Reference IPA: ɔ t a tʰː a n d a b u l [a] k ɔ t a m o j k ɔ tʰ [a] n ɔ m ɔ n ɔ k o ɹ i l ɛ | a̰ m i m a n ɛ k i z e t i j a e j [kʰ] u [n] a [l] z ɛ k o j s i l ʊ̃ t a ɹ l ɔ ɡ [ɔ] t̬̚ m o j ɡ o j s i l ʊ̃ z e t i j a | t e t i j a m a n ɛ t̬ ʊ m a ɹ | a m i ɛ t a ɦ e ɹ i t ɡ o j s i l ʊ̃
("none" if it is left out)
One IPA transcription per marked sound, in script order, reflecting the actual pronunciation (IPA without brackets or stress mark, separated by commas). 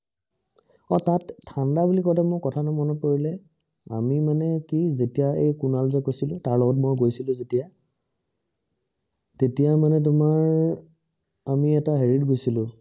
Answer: i, a, k, n, l, ɔ